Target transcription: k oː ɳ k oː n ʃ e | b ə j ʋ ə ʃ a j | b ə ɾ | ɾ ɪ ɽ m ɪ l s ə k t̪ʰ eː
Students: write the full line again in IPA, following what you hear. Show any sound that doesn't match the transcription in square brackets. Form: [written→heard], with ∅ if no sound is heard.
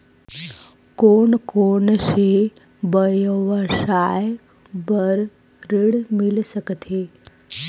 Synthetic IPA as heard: k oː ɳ k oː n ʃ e | b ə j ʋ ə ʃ a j | b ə ɾ | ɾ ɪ ɽ m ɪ l s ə k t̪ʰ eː